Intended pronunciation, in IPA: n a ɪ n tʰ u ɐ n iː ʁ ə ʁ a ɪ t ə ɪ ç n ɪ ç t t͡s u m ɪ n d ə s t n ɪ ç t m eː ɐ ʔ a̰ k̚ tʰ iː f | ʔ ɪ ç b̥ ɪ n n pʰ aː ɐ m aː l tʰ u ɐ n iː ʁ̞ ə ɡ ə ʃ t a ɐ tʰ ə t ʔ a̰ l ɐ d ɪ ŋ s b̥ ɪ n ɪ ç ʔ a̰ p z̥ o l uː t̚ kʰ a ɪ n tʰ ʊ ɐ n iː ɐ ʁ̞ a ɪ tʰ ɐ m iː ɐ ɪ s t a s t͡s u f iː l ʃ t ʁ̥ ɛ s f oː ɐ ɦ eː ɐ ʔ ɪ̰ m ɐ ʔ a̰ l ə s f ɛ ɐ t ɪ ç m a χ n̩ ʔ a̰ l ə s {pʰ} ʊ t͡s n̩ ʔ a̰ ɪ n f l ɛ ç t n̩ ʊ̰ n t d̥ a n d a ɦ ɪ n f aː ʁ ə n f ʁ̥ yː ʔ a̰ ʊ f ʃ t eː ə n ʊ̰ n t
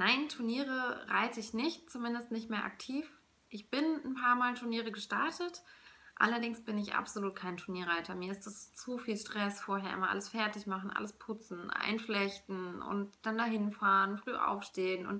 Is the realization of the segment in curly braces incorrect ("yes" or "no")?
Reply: no